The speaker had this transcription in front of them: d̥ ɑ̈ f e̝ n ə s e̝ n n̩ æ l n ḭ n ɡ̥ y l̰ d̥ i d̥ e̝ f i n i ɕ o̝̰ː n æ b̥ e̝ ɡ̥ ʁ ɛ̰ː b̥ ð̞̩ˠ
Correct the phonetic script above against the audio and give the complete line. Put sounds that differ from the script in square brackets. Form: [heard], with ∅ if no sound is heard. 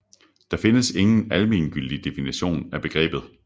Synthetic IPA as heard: d̥ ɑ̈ f e̝ n ə s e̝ [ŋ] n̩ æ l [m] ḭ n ɡ̥ y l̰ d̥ i d̥ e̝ f i n i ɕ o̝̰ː n æ b̥ e̝ ɡ̥ ʁ ɛ̰ː b̥ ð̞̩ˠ